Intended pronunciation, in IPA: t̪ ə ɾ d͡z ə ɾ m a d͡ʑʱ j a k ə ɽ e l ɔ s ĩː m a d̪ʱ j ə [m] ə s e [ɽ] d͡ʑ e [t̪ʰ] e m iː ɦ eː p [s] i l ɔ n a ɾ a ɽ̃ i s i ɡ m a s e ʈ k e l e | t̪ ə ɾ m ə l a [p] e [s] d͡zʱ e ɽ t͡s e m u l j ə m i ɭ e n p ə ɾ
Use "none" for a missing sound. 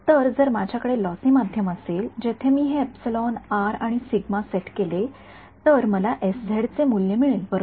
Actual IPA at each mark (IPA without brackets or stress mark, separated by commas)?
m, l, t̪ʰ, s, ʔ, s